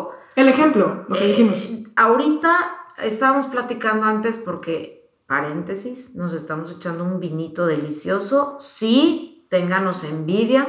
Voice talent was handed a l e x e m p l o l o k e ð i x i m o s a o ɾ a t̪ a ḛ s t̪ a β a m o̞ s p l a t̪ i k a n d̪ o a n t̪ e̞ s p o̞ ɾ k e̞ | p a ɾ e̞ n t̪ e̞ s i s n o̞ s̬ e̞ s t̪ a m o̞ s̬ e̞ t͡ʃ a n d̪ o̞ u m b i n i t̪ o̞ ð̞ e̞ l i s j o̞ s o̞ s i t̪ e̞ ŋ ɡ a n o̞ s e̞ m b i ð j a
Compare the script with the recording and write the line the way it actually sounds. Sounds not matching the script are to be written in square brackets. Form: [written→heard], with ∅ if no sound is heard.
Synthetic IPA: [a→e] l e x e m p l o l o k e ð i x i m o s a o ɾ [a→i] t̪ a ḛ s t̪ a β a m o̞ s p l a t̪ i k a n d̪ o a n t̪ e̞ s p o̞ ɾ k e̞ | p a ɾ e̞ n t̪ e̞ s i s n o̞ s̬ e̞ s t̪ a m o̞ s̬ e̞ t͡ʃ a n d̪ o̞ u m b i n i t̪ o̞ ð̞ e̞ l i s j o̞ s o̞ s i t̪ e̞ ŋ ɡ a n o̞ s e̞ m b i ð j a